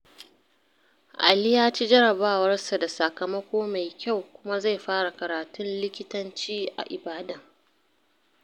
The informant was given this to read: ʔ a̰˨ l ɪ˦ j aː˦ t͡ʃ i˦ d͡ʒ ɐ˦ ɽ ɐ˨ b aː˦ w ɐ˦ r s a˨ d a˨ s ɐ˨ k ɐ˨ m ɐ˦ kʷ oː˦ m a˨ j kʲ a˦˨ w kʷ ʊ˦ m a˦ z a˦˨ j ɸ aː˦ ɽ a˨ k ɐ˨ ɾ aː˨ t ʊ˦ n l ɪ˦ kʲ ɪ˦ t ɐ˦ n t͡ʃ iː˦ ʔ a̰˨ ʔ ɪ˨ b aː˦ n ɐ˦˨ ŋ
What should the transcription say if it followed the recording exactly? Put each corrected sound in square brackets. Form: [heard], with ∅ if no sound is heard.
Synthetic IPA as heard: ʔ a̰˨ l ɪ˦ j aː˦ t͡ʃ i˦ d͡ʒ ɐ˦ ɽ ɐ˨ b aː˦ w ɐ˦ r s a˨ d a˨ s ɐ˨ k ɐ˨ m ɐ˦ kʷ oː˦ m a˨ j kʲ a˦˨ w kʷ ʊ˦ m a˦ z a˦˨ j ɸ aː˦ ɽ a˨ k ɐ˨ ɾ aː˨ t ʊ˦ n l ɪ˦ kʲ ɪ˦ t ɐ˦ n t͡ʃ iː˦ ʔ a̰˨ ʔ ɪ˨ b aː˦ [d] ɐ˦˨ ŋ